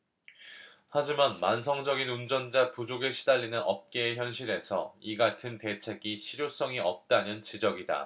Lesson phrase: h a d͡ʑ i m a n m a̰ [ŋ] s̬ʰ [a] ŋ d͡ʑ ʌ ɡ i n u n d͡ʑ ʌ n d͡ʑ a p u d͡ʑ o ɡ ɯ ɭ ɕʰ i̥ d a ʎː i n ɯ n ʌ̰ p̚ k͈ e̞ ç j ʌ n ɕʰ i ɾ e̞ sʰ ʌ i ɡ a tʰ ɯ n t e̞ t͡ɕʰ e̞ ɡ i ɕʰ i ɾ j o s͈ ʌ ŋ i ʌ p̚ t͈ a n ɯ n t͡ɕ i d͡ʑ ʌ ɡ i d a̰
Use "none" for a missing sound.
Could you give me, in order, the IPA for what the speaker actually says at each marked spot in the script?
n, ʌ

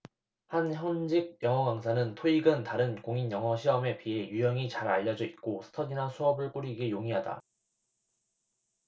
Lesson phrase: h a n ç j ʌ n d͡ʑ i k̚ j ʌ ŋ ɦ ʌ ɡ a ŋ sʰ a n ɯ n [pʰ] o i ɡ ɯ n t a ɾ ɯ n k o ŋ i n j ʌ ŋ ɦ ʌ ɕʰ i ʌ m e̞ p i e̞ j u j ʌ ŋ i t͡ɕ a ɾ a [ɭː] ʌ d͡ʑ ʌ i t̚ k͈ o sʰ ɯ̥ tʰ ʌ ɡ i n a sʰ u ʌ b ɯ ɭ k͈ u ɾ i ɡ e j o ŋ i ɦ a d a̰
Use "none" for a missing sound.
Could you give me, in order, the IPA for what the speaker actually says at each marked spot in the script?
tʰ, ʎː

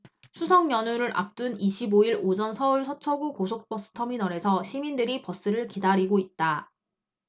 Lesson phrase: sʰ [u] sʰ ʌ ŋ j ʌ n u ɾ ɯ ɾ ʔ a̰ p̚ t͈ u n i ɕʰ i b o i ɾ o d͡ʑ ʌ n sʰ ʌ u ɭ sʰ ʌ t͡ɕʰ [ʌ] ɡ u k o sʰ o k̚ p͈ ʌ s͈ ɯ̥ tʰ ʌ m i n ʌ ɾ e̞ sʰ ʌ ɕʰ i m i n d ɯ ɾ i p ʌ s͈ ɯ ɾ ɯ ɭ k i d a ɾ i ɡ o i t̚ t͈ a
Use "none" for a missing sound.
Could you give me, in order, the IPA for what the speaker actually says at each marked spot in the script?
u, ʌ

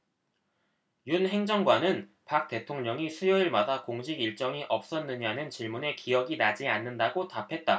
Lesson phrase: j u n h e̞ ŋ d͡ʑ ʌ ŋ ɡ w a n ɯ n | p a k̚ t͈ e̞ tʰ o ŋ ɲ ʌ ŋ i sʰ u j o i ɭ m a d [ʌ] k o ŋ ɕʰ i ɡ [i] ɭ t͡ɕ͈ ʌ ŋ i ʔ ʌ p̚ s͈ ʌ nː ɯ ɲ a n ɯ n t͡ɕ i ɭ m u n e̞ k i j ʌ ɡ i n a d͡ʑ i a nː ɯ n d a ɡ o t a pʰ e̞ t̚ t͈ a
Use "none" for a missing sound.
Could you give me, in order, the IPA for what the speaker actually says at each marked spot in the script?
a, i

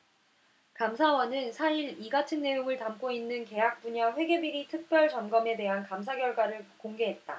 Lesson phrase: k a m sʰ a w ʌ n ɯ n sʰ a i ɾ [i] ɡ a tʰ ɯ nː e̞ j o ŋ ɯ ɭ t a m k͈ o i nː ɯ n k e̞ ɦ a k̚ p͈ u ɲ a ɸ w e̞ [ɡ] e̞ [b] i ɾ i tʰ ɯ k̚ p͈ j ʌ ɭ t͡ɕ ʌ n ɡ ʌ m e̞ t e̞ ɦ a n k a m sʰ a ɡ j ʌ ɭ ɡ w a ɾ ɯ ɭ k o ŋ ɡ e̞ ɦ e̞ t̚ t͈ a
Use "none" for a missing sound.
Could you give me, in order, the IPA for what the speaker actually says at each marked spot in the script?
i, ɡ, b

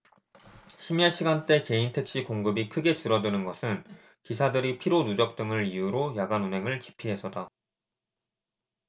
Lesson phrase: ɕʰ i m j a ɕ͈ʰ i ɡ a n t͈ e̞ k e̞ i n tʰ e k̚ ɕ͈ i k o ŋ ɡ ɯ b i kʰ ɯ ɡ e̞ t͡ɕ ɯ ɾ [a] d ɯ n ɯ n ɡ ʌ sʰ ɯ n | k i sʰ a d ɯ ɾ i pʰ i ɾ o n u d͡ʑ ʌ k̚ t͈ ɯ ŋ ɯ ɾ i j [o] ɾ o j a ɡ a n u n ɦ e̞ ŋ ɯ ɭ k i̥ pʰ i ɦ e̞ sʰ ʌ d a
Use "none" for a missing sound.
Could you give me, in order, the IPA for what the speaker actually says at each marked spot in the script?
ʌ, u

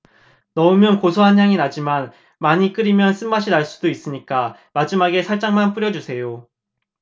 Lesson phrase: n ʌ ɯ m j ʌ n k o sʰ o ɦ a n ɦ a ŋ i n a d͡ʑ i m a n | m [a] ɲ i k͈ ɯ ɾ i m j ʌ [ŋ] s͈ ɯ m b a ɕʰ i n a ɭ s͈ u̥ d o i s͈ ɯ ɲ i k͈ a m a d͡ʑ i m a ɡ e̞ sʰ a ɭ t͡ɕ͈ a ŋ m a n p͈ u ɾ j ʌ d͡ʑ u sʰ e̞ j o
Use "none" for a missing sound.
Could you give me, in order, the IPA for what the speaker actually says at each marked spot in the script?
a, n

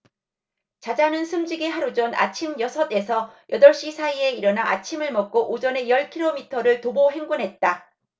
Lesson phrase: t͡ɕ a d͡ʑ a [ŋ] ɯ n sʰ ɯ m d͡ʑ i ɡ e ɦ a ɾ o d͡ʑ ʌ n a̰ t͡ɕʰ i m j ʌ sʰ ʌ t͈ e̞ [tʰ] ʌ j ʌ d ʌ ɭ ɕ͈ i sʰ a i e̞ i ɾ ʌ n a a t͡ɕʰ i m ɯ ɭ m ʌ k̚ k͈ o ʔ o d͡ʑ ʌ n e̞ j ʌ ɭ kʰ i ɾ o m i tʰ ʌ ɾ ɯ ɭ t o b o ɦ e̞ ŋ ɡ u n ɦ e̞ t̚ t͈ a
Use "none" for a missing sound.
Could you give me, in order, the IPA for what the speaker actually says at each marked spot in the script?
n, sʰ

